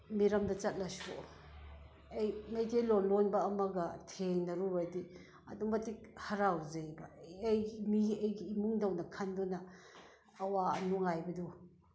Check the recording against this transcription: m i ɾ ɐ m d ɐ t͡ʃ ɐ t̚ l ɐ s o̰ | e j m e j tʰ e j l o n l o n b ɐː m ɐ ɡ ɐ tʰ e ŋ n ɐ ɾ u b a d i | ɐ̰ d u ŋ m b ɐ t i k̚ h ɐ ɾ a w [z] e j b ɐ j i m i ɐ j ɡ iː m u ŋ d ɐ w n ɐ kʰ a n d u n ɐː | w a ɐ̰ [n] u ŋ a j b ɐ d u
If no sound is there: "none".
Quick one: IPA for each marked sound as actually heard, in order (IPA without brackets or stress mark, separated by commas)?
z, n